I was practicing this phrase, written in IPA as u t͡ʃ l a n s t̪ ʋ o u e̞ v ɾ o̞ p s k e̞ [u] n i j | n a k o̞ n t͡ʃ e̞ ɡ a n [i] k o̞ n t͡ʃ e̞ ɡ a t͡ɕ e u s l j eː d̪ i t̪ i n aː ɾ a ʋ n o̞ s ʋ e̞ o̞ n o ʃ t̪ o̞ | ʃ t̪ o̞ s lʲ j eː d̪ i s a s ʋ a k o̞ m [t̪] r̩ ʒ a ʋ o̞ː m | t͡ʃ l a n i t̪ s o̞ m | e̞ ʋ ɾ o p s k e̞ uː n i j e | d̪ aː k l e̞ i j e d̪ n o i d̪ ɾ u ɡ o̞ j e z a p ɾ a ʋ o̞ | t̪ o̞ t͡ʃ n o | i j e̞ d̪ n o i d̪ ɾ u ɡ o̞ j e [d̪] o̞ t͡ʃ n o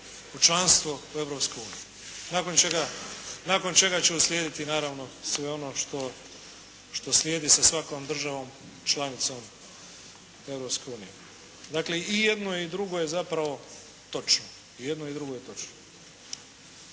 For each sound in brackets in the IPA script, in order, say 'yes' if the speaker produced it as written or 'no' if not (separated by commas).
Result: no, no, no, no